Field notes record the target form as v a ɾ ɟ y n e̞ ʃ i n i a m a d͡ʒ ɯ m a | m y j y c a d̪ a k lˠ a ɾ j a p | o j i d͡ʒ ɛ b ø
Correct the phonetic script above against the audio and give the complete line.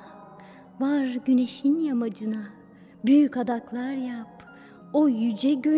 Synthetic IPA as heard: v a ɾ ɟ y n e̞ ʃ i n j a m a d͡ʒ ɯ n a | b y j y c a d̪ a k lˠ a ɾ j a p | o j y d͡ʒ ɛ ɟ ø